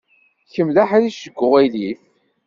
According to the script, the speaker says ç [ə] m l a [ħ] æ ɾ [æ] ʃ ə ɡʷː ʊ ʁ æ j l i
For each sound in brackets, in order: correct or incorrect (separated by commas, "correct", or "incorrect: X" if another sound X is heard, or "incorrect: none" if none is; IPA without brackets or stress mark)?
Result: correct, correct, incorrect: i